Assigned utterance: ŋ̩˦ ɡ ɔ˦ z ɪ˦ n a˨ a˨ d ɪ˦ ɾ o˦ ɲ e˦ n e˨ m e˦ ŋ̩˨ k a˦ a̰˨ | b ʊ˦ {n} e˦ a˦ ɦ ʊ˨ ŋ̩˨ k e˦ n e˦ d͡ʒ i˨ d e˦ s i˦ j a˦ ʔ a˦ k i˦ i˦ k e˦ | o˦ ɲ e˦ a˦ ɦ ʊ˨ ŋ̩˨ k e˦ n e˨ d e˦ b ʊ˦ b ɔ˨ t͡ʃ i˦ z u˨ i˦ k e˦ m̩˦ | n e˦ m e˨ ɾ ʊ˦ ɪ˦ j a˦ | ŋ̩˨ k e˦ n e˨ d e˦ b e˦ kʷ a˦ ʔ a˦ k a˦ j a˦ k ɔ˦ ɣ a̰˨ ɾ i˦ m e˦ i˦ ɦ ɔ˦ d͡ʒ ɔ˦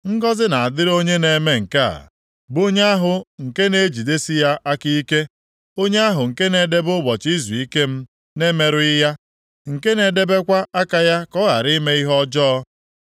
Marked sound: incorrect: ɲ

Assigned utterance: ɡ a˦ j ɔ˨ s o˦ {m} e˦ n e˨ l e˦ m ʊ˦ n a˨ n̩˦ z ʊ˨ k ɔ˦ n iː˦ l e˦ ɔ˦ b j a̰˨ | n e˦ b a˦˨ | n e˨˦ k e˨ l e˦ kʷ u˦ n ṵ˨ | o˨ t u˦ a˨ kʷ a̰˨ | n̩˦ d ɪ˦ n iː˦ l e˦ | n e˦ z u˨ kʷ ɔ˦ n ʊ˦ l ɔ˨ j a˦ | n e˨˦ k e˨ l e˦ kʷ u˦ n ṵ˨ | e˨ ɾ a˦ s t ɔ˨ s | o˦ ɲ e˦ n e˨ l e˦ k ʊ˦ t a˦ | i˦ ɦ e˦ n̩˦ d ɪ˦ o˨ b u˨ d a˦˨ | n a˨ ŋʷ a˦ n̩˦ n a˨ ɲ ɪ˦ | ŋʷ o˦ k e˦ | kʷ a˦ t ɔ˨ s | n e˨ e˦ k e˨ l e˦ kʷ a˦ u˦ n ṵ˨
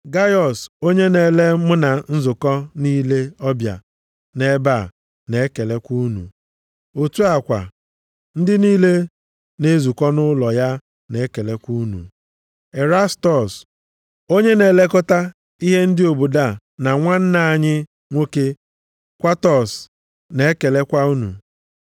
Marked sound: incorrect: ɲ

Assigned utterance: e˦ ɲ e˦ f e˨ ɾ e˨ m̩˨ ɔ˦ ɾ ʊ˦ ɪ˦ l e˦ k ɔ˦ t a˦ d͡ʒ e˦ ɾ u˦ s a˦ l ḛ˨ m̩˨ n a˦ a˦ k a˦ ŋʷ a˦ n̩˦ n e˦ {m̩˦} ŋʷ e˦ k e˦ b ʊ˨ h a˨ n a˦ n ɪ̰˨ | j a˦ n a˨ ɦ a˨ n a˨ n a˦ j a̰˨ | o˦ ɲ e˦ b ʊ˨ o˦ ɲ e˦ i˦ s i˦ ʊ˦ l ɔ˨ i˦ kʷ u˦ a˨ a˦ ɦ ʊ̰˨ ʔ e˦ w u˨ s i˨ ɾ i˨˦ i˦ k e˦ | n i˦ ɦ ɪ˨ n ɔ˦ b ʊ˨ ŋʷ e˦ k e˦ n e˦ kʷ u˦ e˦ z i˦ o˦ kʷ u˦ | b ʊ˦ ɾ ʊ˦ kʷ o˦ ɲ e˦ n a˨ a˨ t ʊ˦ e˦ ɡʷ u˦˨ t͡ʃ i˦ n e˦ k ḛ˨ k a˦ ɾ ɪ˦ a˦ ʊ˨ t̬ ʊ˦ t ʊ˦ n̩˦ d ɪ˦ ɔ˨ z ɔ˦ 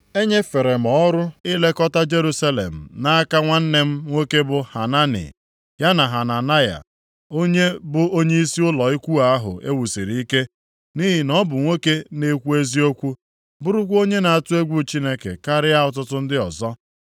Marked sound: correct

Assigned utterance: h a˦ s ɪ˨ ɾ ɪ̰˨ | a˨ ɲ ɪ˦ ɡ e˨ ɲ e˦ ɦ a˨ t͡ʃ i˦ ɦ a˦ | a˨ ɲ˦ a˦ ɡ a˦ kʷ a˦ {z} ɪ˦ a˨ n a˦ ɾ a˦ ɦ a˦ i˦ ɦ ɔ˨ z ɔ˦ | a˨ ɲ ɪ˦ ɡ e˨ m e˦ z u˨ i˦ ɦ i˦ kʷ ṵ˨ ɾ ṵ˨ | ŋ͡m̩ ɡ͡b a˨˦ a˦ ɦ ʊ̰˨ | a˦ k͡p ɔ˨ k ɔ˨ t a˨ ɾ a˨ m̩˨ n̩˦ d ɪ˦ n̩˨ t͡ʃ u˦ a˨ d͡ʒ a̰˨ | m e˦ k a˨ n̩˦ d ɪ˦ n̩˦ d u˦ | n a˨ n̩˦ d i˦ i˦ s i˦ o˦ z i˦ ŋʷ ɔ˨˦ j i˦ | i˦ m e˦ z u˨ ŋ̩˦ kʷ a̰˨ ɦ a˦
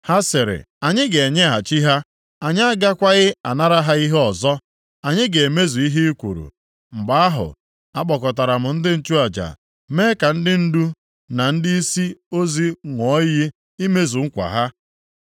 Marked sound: incorrect: ɣ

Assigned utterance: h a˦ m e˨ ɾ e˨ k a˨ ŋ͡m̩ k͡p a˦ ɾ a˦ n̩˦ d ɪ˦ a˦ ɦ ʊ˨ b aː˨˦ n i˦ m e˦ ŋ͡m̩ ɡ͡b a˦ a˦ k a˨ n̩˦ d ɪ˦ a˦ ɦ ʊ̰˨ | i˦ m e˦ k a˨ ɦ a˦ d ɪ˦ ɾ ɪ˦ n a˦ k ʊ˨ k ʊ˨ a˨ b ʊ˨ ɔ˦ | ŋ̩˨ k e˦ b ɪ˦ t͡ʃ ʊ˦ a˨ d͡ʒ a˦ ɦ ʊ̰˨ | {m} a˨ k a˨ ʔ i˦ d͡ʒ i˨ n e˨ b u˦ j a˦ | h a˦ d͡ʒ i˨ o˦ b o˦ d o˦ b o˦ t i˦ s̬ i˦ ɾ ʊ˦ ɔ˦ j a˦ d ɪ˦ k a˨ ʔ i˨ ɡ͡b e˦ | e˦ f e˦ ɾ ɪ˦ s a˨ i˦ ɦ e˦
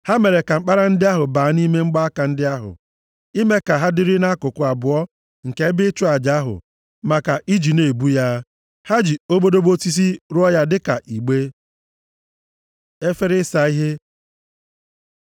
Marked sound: correct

